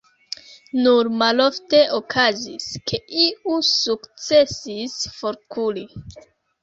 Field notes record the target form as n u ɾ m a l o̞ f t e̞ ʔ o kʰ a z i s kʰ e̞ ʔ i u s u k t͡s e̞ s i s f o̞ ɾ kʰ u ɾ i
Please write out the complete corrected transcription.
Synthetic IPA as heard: n u ɾ m a l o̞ f t e̞ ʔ o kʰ a z i s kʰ e̞ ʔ i u s u k t͡s e̞ s i s f o̞ ɾ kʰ u l i

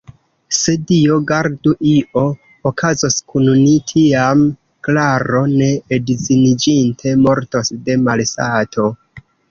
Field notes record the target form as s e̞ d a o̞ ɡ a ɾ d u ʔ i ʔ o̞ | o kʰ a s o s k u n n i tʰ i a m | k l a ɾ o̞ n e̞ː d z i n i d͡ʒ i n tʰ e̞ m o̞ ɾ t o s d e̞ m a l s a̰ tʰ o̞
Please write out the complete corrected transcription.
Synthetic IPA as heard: s e̞ d i o̞ ɡ a ɾ d u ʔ i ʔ o̞ | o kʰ a z o s k u n n i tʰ i a m | k l a ɾ o̞ n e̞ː d z i n i d͡ʒ i n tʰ e̞ m o̞ ɾ t o s d e̞ m a l s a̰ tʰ o̞

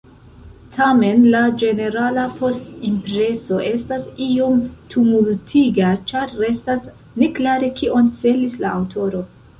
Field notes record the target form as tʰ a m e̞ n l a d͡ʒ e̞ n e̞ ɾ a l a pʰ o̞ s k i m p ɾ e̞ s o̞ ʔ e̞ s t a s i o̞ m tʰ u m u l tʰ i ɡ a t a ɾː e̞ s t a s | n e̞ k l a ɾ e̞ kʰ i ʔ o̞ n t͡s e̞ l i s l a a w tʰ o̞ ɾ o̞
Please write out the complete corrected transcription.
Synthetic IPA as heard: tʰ a m e̞ n l a d͡ʒ e̞ n e̞ ɾ a l a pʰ o̞ s t i m p ɾ e̞ s o̞ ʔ e̞ s t a s i o̞ m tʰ u m u l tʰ i ɡ a t͡ʃ a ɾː e̞ s t a s | n e̞ k l a ɾ e̞ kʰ i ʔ o̞ n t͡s e̞ l i s l a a w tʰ o̞ ɾ o̞

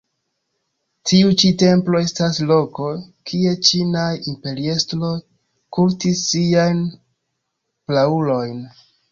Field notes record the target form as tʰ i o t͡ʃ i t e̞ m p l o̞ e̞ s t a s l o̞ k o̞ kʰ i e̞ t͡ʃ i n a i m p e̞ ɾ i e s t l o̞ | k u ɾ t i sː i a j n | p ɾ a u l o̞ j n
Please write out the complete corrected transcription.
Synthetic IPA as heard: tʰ i u t͡ʃ i t e̞ m p l o̞ e̞ s t a s l o̞ k o̞ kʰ i e̞ t͡ʃ i n a i m p e̞ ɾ i e s t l o̞ | k u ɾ t i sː i a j n | p l a u l o̞ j n

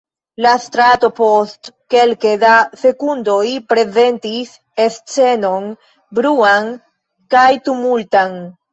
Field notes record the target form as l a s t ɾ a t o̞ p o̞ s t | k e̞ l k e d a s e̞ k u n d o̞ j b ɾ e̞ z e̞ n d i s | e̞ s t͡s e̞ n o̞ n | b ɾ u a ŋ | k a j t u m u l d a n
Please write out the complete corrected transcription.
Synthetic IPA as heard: l a s t ɾ a t o̞ p o̞ s t | k e̞ l k e d a s e̞ k u n d o̞ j p ɾ e̞ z e̞ n t i s | e̞ s t͡s e̞ n o̞ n | b ɾ u a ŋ | k a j t u m u l t a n

